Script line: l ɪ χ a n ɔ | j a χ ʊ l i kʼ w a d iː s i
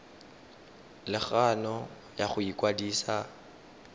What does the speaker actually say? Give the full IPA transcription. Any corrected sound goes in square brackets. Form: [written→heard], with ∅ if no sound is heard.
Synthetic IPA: l ɪ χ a n ɔ | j a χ ʊ [l→∅] i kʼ w a d iː s [i→a]